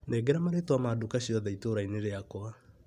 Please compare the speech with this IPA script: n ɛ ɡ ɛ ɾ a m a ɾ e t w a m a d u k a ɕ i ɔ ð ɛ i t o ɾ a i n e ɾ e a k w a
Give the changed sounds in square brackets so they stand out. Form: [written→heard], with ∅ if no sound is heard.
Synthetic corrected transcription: n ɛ ɡ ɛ ɾ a m a ɾ e t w a m a d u k a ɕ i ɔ ð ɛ i t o ɾ a i n e ɾ e a k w a